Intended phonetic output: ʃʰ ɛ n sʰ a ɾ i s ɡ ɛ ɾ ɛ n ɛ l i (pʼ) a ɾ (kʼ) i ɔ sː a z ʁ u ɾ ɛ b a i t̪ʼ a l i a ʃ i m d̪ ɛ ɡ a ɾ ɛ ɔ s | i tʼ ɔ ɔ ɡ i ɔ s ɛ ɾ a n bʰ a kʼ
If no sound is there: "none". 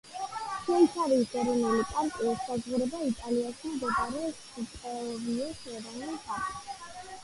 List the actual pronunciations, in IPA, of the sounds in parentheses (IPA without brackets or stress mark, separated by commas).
pʼ, kʼ